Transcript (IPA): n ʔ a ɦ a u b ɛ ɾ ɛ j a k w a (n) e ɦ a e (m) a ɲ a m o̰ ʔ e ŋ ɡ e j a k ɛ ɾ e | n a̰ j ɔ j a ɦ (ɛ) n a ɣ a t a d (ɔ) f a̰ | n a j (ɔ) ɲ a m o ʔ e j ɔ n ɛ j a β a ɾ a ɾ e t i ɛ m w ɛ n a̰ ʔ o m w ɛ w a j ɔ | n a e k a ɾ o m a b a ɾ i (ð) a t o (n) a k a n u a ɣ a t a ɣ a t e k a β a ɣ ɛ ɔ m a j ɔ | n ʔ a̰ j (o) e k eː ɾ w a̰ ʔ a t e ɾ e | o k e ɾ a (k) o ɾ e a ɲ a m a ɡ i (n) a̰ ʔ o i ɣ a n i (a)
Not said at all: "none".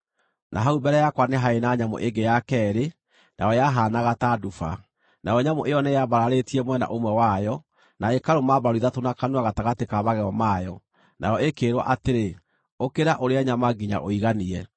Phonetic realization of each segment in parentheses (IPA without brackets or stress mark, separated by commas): n, n, a, u, ɔ, ð, n, ɔ, ʔ, ɲ, ɛ